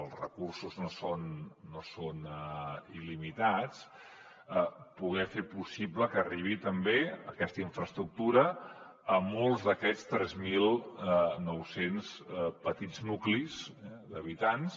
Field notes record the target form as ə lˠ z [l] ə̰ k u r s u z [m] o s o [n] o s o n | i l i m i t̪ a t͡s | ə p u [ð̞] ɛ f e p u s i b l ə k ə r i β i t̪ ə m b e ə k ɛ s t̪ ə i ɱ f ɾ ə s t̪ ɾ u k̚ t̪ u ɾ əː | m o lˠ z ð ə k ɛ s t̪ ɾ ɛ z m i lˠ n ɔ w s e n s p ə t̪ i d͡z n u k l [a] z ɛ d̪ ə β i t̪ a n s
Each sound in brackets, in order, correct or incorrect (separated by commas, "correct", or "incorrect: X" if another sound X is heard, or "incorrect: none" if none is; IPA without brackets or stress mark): incorrect: r, incorrect: n, incorrect: nː, incorrect: ɣ̞, incorrect: i